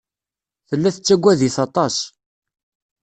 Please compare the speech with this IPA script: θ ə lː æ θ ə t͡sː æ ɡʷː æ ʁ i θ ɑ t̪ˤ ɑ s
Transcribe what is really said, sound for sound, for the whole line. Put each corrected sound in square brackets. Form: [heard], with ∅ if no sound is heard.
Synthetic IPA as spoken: θ ə lː æ θ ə t͡sː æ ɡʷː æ [ð] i θ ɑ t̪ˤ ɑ s